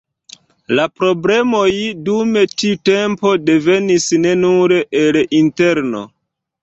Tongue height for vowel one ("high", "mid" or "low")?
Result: low